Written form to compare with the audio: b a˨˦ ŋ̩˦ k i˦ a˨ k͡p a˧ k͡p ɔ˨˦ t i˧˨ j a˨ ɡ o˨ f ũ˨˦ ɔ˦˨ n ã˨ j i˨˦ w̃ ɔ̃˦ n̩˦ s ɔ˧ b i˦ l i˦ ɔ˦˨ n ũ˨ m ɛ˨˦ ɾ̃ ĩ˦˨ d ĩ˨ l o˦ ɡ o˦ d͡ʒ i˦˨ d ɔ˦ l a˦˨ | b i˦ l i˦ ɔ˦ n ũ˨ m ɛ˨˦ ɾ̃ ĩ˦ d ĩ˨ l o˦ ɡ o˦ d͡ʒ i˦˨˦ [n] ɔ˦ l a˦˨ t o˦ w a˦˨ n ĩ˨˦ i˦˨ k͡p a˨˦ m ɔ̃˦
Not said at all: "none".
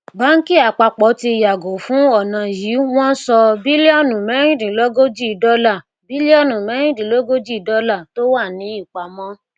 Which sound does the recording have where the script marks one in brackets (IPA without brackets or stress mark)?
d